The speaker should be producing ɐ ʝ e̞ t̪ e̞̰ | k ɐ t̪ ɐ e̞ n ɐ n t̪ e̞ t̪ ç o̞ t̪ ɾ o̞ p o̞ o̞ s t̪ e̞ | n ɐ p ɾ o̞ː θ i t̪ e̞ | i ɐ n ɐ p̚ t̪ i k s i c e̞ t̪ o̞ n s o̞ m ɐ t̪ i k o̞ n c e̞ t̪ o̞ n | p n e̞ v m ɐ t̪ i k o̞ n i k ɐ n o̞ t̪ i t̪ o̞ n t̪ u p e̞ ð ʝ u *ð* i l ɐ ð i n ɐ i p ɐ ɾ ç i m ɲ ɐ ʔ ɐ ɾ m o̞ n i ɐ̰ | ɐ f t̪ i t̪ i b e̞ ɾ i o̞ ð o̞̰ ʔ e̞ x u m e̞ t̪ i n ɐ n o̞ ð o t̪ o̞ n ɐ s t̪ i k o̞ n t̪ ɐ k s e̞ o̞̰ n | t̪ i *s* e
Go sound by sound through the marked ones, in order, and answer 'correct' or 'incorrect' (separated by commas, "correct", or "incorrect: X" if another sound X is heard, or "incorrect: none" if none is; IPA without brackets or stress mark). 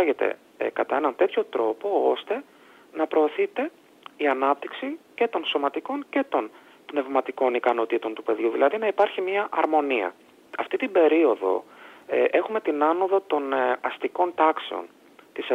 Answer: correct, correct